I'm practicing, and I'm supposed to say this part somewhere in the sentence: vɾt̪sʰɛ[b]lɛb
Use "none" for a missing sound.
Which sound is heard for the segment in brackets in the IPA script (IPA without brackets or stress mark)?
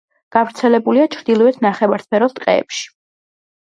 none